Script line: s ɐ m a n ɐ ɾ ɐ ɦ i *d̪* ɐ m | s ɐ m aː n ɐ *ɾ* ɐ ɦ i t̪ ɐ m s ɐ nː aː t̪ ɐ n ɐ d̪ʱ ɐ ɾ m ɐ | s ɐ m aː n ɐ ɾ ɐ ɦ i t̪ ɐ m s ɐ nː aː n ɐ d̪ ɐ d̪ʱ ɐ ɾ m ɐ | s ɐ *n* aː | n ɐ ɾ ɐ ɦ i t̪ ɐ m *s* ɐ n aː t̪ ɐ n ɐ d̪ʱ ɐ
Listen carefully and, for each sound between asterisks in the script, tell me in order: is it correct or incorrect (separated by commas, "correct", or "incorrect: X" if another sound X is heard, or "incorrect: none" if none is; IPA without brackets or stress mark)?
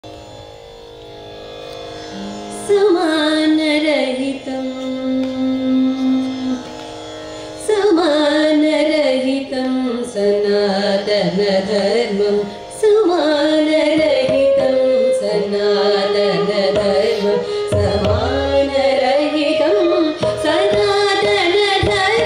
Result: incorrect: t̪, correct, incorrect: m, correct